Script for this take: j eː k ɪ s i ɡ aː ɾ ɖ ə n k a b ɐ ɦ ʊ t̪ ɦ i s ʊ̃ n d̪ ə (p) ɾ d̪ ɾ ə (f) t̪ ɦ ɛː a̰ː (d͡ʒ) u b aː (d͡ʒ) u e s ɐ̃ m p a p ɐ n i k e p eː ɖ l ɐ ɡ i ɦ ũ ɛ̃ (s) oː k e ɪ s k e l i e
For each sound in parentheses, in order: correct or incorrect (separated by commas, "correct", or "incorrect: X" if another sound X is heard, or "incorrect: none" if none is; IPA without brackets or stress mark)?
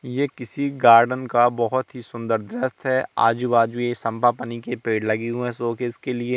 incorrect: none, incorrect: s, correct, correct, correct